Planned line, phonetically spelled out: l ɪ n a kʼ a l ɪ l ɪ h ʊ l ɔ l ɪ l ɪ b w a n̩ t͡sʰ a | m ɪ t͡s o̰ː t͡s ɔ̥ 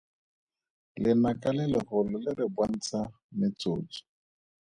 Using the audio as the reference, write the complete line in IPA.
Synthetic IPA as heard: l ɪ n a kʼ a l ɪ l ɪ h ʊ l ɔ l ɪ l ɪ b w a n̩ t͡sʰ a | m ɪ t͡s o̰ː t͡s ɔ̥